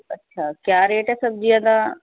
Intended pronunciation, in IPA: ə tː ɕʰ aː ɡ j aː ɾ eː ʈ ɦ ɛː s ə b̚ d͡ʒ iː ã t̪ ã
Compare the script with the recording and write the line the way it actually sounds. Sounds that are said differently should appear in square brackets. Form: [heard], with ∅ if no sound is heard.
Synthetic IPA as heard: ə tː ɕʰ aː [k] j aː ɾ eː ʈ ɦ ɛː s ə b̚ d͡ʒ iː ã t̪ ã